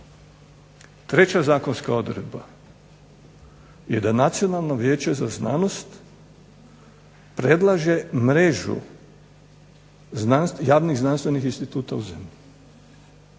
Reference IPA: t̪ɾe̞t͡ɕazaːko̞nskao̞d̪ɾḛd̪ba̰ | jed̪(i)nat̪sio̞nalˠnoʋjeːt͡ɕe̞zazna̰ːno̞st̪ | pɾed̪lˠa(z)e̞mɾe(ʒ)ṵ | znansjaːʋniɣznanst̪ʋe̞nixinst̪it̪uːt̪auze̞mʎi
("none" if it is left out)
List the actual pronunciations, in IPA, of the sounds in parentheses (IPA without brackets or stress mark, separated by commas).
a, ʒ, ʒ